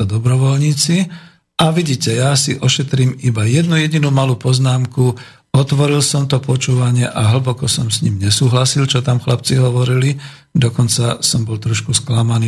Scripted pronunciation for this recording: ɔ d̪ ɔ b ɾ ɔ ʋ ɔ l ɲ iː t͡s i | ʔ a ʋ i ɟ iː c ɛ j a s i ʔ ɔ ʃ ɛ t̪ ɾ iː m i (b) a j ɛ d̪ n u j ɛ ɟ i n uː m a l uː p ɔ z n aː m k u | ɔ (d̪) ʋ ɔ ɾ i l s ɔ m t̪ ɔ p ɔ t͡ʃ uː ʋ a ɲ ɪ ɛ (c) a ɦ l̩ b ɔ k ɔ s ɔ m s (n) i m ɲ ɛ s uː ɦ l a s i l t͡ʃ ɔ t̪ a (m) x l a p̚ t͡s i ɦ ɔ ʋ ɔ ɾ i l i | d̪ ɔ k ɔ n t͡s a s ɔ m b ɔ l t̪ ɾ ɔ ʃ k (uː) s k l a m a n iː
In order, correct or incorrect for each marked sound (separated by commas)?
correct, incorrect, incorrect, incorrect, correct, incorrect